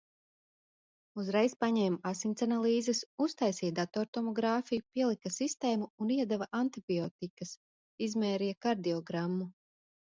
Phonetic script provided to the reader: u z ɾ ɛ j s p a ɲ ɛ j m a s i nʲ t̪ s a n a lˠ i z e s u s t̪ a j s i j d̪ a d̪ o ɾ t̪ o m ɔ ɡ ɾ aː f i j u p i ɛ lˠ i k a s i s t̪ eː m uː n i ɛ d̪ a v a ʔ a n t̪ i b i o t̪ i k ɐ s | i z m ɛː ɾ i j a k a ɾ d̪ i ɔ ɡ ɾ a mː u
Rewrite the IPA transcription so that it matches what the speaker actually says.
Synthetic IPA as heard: u z ɾ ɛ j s p a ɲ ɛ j m a s i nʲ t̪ s a n a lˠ iː z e s u s t̪ a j s i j d̪ a t̪ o ɾ t̪ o m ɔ ɡ ɾ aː f i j u p i ɛ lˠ i k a s i s t̪ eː m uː n i ɛ d̪ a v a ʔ a n t̪ i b i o t̪ i k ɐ s | i z m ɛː ɾ i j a k a ɾ d̪ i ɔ ɡ ɾ a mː u